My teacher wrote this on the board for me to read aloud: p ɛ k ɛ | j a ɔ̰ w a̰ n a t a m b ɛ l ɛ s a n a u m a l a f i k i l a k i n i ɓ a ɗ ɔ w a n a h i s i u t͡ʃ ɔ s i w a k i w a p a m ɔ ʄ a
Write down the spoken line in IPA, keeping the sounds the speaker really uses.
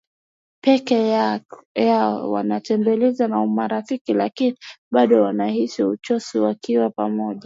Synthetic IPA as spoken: p ɛ k ɛ | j a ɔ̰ w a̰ n a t ɛ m b ɛ l ɛ z a n a u m a ɾ a f i k i l a k i n i ɓ a ɗ ɔ w a n a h i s i u t͡ʃ ɔ s i w a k i w a p a m ɔ ʄ a